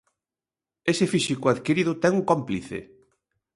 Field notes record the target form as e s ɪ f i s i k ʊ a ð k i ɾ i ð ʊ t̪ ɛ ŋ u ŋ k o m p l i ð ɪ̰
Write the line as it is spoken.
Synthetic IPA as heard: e s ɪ f i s i k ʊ a ð k i ɾ i ð ʊ t̪ ɛ ŋ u ŋ k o m p l i θ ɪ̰